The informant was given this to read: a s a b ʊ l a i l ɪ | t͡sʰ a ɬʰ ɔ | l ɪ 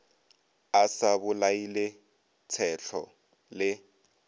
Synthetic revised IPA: a s a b ʊ l a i l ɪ | t͡sʰ ɛ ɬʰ ɔ | l ɪ